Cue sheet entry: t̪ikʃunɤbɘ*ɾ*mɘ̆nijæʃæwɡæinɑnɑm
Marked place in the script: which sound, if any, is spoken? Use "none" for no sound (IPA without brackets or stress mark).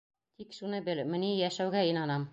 l